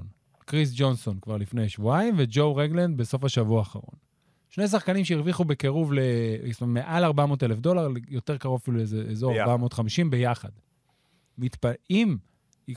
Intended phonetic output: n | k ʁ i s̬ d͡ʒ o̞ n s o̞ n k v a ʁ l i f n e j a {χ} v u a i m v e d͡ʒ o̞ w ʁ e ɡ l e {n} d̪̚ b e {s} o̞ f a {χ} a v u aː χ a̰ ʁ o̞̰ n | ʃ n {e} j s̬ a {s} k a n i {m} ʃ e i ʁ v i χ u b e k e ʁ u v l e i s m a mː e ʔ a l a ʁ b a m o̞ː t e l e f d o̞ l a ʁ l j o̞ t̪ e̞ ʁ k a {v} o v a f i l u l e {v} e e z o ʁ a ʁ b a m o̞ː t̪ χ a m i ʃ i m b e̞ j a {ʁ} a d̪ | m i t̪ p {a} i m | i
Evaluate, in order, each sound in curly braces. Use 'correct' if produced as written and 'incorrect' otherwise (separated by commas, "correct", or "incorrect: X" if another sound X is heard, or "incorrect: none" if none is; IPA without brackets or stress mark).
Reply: incorrect: ʃ, correct, correct, incorrect: ʃ, correct, incorrect: χ, correct, incorrect: ʁ, incorrect: z, incorrect: χ, correct